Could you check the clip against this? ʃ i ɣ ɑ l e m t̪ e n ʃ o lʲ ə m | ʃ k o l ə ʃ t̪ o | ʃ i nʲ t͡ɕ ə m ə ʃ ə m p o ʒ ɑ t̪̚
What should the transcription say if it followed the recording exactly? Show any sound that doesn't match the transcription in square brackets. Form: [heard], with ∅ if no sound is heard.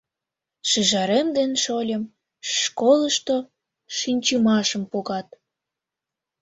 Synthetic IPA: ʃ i [ʒ] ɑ [ɾ] e m [d̪] e n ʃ o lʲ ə m | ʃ k o l ə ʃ t̪ o | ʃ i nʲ t͡ɕ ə m [ɑ] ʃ ə m p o [ɣ] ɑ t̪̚